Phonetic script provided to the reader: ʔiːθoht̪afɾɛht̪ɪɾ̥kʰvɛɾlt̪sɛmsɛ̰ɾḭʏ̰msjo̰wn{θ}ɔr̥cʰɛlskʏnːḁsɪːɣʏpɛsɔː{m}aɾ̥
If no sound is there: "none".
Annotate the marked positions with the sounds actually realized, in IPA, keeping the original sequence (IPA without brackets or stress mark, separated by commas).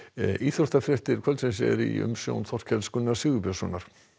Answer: θ, n